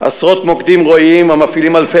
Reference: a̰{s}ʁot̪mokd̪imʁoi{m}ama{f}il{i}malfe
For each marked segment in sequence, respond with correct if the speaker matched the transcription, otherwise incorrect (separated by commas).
correct, correct, correct, correct